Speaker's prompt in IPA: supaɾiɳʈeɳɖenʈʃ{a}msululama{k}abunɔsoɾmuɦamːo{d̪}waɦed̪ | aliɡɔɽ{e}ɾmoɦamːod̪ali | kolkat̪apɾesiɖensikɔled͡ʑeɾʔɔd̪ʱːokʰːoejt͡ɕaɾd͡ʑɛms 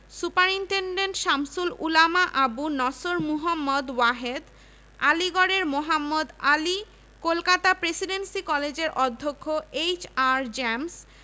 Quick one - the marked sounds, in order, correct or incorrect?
correct, incorrect: ʔ, correct, correct

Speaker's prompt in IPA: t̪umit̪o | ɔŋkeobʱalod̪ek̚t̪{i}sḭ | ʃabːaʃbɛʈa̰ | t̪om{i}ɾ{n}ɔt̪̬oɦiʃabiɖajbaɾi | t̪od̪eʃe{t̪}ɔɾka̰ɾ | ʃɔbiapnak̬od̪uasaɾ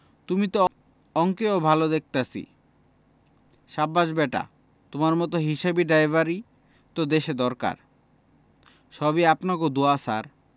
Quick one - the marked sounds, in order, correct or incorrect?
incorrect: a, incorrect: a, incorrect: m, incorrect: d̪

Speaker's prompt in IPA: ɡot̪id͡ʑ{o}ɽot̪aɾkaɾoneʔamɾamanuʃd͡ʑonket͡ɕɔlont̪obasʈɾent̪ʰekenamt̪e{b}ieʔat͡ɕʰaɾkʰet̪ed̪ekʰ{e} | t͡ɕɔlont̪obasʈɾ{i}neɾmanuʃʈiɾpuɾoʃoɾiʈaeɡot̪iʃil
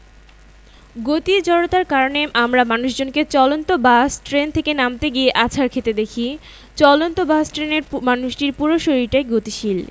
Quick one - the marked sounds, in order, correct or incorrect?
incorrect: ɔ, incorrect: ɡ, incorrect: i, incorrect: e

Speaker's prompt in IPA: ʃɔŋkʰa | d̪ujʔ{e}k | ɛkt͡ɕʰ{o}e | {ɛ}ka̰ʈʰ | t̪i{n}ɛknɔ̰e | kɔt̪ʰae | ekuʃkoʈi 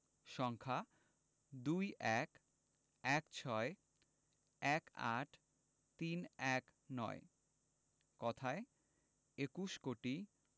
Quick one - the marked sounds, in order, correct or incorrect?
incorrect: ɛ, incorrect: ɔ, correct, correct

